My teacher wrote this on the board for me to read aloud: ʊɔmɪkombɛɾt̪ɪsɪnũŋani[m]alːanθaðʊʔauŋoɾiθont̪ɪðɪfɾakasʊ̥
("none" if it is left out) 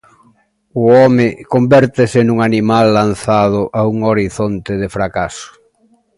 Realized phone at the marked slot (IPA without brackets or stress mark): m